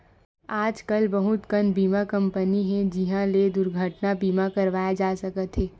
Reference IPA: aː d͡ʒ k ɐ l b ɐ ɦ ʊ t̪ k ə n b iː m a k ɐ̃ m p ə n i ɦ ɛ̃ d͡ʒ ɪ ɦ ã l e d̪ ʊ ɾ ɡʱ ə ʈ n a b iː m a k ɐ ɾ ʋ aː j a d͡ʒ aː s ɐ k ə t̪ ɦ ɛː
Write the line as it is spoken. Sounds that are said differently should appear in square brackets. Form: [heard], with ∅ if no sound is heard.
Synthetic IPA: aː d͡ʒ k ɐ l b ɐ ɦ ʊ t̪ k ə n b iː m a k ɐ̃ m p ə n i ɦ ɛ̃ d͡ʒ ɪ ɦ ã l e d̪ ʊ ɾ ɡʱ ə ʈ n a b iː m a k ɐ ɾ ʋ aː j a d͡ʒ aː s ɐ k ə t̪ ɦ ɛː